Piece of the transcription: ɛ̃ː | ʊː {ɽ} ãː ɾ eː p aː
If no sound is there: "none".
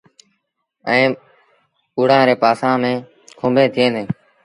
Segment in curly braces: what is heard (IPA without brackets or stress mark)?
ɽ